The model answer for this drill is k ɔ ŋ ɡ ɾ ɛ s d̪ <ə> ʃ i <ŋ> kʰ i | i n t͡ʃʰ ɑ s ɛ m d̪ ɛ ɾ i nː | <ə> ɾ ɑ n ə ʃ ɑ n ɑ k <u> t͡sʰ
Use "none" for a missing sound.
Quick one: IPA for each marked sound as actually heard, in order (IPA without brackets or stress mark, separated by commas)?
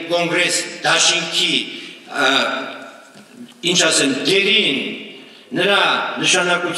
ɑ, ŋ, ə, u